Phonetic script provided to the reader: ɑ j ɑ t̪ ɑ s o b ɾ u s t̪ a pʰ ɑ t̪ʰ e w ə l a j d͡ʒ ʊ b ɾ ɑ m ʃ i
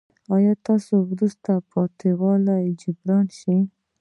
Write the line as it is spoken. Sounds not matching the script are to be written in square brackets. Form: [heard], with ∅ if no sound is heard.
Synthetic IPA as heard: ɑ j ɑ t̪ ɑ s o [w] ɾ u s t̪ a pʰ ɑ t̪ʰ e w [ɑ] l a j d͡ʒ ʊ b ɾ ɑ [n] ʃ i